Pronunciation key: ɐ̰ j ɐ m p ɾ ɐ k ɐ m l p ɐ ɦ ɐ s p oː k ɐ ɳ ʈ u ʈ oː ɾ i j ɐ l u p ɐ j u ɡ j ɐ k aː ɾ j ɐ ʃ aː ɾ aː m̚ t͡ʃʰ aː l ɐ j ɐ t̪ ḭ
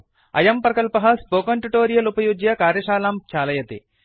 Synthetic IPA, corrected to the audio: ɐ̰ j ɐ m p ɾ ɐ k ɐ l p ɐ ɦ ɐ s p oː k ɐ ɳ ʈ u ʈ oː ɾ i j ɐ l u p ɐ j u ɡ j ɐ k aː ɾ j ɐ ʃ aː l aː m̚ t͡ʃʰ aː l ɐ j ɐ t̪ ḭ